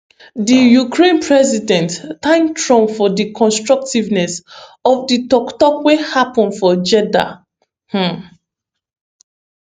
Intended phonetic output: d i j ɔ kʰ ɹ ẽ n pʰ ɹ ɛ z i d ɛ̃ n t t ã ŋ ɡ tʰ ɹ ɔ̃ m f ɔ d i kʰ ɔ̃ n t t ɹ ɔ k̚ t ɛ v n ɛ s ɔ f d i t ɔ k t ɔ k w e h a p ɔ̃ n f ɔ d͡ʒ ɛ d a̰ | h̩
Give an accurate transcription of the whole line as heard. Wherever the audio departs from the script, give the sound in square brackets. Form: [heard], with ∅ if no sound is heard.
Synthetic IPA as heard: d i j [u] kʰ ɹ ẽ n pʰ ɹ ɛ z i d ɛ̃ n t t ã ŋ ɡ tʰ ɹ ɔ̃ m f ɔ d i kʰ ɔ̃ n [s] t ɹ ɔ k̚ t [i] v n ɛ s ɔ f d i t ɔ k t ɔ k w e h a p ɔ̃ n f ɔ d͡ʒ ɛ d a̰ | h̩